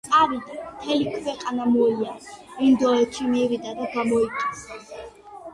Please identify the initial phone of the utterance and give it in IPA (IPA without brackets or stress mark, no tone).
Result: t̪